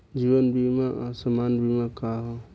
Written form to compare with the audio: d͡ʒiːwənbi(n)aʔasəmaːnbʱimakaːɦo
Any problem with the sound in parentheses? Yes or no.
yes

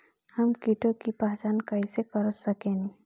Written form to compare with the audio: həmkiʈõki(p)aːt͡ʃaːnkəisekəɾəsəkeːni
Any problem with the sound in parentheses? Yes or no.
no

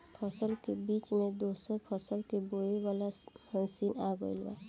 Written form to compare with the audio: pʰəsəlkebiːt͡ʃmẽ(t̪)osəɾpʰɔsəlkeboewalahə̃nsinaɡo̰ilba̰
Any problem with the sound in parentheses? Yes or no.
yes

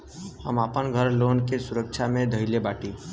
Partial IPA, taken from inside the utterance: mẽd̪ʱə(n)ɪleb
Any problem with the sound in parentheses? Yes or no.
yes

